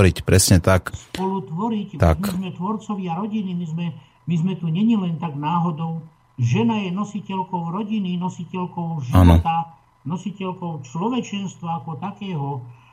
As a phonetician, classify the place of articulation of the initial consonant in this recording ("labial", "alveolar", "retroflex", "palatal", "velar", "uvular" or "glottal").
alveolar